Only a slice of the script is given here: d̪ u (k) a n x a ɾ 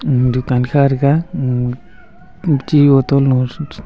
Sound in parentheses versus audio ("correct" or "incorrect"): correct